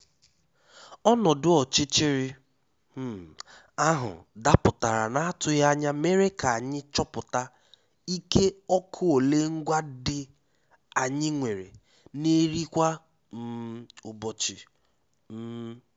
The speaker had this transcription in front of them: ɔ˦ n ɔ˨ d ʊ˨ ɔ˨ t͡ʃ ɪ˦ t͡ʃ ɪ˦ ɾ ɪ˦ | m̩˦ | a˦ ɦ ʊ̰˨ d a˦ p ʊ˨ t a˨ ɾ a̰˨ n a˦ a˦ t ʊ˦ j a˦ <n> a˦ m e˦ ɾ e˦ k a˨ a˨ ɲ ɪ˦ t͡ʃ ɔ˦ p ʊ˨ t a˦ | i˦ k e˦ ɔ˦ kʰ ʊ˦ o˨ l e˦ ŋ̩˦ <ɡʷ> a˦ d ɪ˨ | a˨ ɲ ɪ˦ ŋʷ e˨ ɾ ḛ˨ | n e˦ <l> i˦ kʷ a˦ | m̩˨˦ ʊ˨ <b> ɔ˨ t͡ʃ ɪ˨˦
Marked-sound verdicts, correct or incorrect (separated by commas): incorrect, correct, incorrect, correct